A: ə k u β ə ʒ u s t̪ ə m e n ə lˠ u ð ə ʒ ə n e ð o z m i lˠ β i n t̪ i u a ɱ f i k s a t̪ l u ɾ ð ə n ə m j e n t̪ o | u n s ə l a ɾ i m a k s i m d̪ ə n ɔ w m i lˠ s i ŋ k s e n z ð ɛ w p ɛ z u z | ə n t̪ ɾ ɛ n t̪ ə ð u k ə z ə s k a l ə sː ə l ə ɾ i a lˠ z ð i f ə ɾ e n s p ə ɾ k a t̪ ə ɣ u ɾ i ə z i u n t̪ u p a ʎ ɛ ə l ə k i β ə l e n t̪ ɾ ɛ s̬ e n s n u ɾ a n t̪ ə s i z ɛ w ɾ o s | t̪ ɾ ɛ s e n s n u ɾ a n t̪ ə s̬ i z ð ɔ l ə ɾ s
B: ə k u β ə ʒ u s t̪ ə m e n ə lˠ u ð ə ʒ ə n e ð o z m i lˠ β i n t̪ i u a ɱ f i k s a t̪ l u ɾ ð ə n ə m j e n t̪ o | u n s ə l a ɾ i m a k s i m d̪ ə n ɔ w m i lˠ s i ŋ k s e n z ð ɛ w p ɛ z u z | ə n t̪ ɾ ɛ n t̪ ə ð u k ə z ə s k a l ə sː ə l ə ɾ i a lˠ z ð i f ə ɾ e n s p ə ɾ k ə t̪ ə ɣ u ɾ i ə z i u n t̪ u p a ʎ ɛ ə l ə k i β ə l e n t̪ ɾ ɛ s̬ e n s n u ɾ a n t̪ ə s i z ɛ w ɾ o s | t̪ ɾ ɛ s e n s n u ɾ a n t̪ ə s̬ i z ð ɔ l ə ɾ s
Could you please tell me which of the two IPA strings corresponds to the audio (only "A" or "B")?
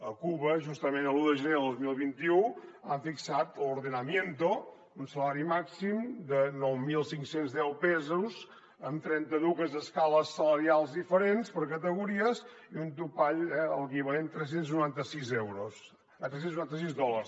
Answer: B